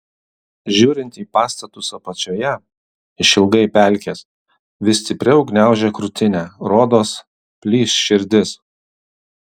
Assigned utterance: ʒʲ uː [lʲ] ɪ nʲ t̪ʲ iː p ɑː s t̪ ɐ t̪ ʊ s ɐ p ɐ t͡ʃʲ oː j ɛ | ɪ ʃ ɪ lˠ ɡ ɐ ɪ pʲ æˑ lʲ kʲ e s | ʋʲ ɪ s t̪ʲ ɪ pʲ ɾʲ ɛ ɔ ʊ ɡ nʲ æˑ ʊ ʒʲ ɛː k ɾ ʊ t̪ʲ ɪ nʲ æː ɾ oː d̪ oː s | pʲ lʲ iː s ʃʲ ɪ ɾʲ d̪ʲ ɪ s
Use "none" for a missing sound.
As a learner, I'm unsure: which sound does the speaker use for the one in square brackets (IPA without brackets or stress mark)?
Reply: ɾʲ